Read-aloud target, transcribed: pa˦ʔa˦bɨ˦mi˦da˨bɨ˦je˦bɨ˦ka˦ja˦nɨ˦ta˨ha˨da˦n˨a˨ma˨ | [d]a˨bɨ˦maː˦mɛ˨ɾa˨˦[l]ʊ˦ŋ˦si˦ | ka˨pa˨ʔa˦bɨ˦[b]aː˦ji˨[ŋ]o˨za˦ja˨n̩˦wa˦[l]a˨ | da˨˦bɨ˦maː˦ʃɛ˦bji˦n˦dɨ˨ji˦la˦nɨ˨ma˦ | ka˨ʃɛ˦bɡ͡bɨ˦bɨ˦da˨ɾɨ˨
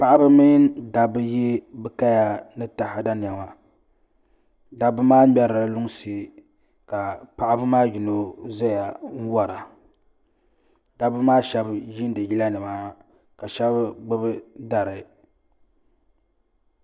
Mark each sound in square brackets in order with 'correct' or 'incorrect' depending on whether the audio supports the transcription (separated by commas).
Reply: correct, correct, incorrect, incorrect, incorrect